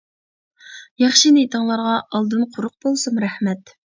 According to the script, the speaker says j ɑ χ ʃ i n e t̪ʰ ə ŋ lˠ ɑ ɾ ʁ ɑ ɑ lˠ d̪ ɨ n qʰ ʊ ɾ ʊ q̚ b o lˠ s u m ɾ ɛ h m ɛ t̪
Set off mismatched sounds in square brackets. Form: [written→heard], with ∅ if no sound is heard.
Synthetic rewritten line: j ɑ χ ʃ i n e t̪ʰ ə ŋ lˠ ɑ ɾ ʁ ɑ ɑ lˠ d̪ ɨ n qʰ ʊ ɾ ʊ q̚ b o lˠ s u m ɾ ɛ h m ɛ t̪